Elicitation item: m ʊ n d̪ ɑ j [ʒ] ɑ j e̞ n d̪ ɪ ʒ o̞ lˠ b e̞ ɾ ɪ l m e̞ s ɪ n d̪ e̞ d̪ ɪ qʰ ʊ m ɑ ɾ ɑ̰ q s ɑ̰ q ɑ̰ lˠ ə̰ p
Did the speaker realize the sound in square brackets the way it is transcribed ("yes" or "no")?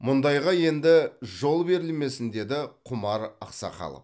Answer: no